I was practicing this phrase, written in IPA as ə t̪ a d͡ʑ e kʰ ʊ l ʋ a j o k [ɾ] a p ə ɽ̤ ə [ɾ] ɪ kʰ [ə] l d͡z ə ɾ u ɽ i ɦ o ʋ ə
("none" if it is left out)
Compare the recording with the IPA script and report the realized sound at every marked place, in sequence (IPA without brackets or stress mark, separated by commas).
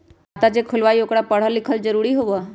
ɽ, l, ə